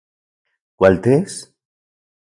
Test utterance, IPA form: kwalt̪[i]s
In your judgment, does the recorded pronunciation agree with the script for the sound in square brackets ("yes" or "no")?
no